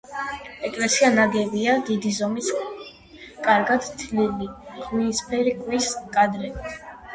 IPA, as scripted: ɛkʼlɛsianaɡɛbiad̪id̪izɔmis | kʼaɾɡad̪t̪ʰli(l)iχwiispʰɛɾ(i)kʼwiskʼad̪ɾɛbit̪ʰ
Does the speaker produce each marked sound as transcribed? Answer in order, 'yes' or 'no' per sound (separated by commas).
yes, yes